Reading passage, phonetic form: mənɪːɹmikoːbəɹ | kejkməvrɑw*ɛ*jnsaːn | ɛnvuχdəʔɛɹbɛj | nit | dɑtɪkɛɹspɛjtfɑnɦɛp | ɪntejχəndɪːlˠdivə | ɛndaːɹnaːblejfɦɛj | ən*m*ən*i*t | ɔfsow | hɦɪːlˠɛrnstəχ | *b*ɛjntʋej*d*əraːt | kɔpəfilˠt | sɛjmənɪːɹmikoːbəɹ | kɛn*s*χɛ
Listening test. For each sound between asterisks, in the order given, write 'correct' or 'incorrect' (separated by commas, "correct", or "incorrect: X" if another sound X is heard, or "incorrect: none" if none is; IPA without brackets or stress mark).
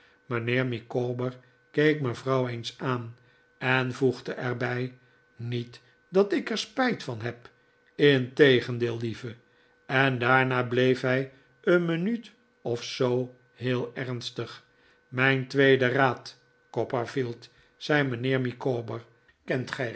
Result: incorrect: e, correct, incorrect: y, incorrect: m, correct, incorrect: t